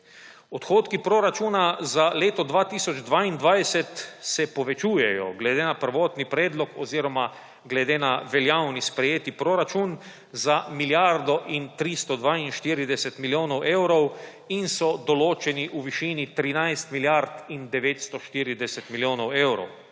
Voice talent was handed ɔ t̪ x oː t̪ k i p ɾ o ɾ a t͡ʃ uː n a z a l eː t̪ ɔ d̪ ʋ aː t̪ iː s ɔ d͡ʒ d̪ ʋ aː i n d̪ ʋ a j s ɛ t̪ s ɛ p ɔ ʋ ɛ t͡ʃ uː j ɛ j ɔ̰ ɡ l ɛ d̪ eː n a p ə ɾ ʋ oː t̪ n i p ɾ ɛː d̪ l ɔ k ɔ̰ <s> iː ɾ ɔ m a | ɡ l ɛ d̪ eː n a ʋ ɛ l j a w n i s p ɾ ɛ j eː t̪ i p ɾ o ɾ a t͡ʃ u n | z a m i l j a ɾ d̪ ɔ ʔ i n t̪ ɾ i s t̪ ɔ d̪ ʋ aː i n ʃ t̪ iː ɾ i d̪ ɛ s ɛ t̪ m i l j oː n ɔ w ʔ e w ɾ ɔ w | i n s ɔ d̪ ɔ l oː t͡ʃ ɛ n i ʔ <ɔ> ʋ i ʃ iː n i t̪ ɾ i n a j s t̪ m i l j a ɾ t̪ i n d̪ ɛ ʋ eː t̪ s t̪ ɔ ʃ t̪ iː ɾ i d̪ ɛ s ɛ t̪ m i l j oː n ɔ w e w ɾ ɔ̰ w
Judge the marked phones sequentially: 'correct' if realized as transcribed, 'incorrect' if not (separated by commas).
incorrect, incorrect